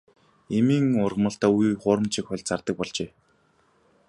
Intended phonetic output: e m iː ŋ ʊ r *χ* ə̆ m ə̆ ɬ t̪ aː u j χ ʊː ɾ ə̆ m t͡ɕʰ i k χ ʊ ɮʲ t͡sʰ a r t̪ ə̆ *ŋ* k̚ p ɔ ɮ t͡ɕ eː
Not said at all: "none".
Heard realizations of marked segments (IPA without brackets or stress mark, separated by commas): ʁ, none